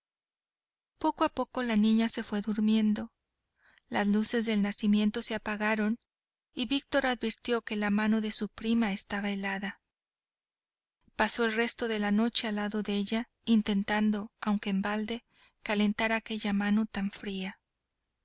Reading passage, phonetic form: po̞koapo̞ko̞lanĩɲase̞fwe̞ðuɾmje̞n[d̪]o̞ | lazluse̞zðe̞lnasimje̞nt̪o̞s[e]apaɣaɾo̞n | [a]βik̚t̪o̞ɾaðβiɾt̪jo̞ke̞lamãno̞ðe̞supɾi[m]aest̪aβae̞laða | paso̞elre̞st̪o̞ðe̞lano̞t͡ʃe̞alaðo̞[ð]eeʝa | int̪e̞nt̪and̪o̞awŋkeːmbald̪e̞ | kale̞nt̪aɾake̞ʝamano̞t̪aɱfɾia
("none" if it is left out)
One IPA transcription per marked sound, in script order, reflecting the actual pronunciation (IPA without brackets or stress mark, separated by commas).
d̪, e, i, m, ð